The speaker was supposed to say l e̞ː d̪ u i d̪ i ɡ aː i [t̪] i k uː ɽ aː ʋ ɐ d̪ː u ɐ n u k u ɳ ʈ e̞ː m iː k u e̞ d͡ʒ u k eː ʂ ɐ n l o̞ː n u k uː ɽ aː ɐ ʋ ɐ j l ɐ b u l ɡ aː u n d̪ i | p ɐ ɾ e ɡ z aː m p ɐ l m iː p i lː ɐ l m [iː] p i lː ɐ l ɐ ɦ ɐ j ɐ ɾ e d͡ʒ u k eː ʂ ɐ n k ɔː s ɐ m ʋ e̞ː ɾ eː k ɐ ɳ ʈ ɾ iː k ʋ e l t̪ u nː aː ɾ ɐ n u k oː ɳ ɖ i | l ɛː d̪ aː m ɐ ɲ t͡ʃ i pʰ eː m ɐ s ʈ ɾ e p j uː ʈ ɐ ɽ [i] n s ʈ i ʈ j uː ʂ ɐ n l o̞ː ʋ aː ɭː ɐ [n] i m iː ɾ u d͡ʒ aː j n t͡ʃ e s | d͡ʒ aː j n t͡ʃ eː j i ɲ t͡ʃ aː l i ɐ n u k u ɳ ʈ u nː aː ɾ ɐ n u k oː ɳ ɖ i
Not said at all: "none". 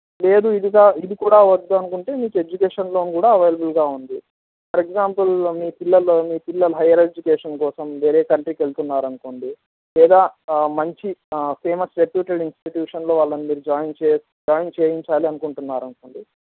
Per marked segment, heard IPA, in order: d̪, iː, i, n

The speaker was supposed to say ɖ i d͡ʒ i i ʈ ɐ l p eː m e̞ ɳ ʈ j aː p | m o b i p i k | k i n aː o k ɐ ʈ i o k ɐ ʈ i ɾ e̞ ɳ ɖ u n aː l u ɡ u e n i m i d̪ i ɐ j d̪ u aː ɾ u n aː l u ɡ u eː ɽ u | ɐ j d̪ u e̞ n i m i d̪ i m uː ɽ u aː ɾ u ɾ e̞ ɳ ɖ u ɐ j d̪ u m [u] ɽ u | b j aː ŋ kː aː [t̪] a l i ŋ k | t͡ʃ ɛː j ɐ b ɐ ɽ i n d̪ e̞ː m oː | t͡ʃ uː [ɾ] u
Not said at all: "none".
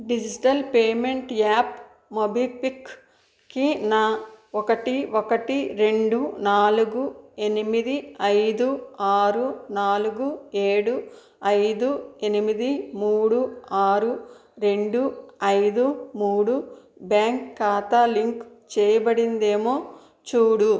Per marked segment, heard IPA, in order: uː, t̪, ɽ

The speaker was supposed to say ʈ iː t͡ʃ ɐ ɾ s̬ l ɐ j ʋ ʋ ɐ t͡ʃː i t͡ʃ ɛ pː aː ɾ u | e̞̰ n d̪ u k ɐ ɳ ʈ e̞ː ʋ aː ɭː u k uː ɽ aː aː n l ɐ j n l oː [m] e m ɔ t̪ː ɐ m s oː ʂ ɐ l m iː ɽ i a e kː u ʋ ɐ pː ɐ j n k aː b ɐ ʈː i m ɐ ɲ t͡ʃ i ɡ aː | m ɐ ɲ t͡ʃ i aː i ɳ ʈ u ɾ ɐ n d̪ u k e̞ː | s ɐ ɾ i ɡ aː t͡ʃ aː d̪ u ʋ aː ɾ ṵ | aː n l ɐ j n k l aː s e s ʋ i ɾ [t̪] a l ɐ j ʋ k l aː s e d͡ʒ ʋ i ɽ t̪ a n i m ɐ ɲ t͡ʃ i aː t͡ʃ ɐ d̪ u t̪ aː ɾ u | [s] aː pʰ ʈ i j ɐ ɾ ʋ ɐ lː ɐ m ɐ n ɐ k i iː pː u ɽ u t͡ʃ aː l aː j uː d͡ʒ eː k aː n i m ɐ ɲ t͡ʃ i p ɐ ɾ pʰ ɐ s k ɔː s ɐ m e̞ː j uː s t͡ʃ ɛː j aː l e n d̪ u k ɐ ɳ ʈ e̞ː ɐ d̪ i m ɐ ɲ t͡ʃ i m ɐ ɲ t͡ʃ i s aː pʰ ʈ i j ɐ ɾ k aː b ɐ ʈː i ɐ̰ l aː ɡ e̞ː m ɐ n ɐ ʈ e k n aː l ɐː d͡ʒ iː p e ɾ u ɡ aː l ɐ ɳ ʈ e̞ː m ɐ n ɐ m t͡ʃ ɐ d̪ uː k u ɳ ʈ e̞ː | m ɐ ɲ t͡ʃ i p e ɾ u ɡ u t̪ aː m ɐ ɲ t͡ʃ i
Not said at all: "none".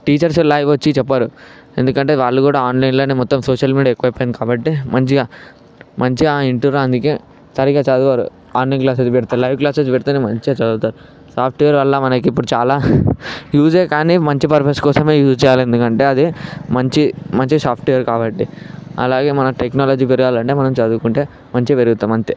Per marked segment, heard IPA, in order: n, t̪, s

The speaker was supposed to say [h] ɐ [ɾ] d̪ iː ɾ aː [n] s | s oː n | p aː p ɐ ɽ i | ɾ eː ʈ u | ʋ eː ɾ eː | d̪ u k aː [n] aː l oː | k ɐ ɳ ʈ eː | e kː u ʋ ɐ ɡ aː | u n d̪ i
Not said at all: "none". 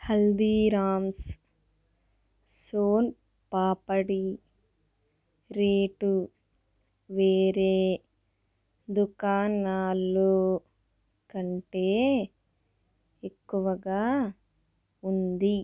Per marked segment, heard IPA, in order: h, l, m, n

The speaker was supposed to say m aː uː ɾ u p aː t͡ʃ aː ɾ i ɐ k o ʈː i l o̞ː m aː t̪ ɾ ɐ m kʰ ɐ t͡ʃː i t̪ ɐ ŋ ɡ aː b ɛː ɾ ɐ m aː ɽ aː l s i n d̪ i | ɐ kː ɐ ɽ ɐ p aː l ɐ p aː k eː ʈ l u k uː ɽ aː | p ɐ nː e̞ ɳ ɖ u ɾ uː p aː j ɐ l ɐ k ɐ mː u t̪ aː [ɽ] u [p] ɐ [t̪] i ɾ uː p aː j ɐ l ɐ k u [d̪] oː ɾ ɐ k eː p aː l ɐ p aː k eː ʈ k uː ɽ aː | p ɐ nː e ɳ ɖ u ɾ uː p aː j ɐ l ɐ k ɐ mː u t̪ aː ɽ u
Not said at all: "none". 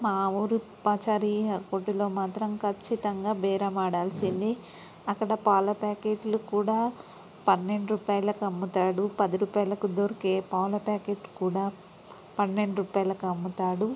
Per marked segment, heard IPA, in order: ɽ, p, d̪, d̪

